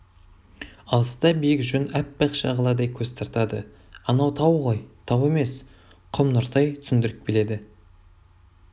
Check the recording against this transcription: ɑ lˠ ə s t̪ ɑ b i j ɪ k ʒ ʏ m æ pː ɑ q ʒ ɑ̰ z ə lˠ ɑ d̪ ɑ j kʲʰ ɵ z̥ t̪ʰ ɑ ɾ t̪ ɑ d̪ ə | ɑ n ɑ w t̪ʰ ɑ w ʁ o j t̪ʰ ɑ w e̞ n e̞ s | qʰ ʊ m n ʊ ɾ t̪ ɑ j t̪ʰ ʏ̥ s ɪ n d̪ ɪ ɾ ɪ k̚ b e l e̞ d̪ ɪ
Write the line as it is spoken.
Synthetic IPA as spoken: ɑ lˠ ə s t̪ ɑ b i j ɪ k ʒ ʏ n æ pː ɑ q ʃ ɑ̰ ʁ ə lˠ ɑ d̪ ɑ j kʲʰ ɵ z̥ t̪ʰ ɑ ɾ t̪ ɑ d̪ ə | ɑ n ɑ w t̪ʰ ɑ w ʁ o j t̪ʰ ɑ w e̞ m e̞ s | qʰ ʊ m n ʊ ɾ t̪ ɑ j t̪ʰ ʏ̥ s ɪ n d̪ ɪ ɾ ɪ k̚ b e l e̞ d̪ ɪ